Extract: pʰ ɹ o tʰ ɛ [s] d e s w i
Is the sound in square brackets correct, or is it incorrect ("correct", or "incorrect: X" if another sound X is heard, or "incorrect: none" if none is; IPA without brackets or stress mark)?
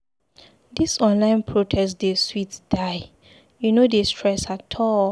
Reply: correct